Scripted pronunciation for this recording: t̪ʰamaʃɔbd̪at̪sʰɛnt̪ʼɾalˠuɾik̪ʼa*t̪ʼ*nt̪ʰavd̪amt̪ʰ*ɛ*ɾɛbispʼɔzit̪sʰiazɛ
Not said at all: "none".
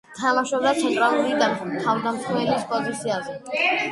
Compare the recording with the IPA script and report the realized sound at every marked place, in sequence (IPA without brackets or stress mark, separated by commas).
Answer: none, ɛ